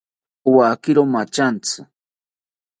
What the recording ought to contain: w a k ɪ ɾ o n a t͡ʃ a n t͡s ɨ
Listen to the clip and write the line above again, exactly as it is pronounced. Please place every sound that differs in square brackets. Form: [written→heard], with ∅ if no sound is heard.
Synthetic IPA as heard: w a k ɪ ɾ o [n→m] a t͡ʃ a n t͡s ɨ